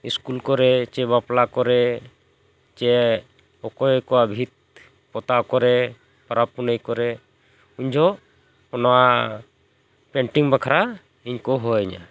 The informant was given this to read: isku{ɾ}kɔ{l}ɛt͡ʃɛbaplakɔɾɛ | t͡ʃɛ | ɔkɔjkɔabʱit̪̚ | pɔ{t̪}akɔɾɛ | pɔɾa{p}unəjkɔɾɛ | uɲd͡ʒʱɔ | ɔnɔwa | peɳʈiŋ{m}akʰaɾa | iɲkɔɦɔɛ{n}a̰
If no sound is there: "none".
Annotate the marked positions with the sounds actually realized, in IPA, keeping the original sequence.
l, ɾ, t̪, p, b, ɲ

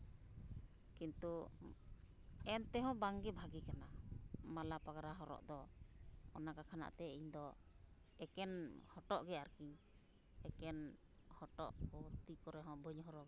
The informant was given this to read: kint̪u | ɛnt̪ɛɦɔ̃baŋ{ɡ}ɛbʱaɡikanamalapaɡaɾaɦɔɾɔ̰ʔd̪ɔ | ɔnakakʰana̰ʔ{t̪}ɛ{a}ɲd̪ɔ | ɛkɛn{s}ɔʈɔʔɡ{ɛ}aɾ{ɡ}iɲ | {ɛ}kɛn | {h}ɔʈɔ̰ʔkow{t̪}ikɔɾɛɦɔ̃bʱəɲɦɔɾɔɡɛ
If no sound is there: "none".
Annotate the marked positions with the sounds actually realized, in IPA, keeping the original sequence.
ɡ, t̪, i, h, ɛ, k, ɛ, h, t̪

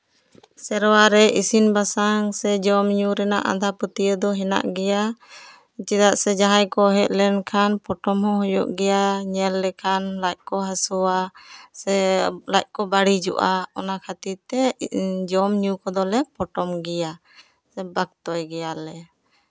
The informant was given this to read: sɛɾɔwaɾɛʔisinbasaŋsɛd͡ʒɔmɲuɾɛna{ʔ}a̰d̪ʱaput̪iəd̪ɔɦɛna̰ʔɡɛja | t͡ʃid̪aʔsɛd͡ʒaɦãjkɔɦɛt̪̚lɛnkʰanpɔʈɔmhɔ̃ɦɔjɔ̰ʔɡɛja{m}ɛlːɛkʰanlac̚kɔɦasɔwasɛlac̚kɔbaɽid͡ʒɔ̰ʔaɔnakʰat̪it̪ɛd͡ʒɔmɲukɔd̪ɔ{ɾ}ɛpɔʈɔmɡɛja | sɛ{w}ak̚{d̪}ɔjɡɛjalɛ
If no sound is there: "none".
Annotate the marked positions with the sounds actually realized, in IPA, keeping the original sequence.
ʔ, ɲ, l, b, t̪

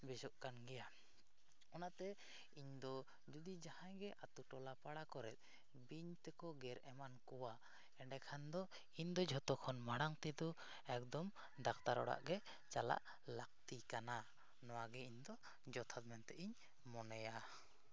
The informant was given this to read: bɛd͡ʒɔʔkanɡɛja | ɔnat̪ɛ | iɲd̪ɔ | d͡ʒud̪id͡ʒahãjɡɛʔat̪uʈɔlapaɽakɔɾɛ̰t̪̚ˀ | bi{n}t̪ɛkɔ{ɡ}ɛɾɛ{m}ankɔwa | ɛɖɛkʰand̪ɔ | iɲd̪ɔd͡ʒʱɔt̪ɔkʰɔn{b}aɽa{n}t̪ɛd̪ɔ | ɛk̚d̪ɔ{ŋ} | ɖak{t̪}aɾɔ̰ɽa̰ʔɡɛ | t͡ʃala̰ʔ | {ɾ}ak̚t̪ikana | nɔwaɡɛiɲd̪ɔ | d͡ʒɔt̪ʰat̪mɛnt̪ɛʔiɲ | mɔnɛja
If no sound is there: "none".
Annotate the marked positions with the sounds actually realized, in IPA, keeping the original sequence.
ɲ, ɡ, m, m, ŋ, m, t̪, l

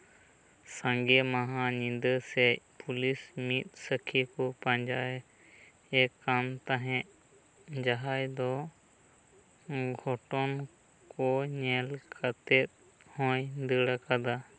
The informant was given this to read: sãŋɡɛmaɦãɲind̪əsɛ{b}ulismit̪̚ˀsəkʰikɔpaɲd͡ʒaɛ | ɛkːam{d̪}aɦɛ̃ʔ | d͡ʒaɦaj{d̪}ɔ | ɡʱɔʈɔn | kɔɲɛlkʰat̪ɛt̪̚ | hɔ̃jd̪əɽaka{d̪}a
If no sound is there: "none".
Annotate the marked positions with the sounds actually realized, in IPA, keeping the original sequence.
p, t̪, d̪, d̪

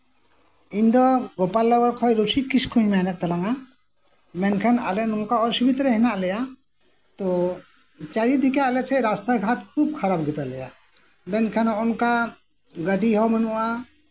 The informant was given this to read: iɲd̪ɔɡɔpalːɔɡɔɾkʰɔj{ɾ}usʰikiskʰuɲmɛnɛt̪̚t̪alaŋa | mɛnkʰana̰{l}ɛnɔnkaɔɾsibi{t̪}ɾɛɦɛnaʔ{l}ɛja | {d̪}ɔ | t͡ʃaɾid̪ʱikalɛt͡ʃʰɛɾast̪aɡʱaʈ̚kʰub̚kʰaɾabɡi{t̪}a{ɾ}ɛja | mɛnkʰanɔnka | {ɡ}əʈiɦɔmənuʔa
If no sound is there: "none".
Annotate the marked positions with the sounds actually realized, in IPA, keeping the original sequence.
ɾ, l, t̪, l, t̪, t̪, l, ɡ

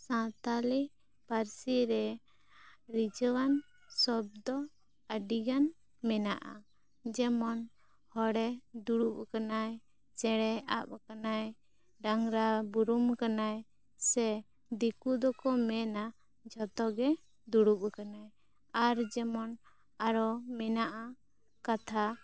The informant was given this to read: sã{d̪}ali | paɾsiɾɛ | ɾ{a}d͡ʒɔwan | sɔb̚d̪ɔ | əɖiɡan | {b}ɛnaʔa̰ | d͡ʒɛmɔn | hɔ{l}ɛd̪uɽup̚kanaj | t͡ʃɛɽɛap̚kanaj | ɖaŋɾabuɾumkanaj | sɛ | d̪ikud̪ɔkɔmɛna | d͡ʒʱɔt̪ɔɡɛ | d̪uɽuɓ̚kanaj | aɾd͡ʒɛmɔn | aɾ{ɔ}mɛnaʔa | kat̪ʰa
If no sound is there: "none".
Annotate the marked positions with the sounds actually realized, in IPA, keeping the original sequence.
t̪, i, m, ɽ, ɔ

